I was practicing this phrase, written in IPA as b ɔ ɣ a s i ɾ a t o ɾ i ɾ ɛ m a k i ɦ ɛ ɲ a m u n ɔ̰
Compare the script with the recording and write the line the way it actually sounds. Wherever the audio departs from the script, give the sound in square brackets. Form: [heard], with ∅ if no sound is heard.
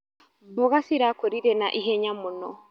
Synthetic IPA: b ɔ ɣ a s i ɾ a [k] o ɾ i ɾ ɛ [n] a [ʔ] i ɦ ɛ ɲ a m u n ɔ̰